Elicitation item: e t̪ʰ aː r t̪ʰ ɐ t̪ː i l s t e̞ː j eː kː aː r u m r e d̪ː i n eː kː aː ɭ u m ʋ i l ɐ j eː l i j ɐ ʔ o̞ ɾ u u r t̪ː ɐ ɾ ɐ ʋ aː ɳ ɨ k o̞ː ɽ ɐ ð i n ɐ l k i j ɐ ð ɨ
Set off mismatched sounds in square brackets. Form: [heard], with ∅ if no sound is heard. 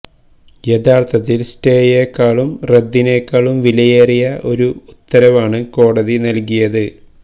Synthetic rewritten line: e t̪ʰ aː r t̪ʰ ɐ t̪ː i l s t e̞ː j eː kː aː [ɭ] u m r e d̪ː i n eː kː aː ɭ u m ʋ i l ɐ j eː [r] i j ɐ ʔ o̞ ɾ u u [∅] t̪ː ɐ ɾ ɐ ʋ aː ɳ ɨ k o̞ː ɽ ɐ ð i n ɐ l k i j ɐ ð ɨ